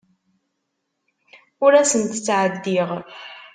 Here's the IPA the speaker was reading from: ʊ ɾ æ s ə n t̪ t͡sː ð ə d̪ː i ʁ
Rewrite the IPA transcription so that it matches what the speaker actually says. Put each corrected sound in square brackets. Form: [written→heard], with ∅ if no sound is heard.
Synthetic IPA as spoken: ʊ ɾ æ s ə n t̪ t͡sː [ð→ʕ] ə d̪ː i ʁ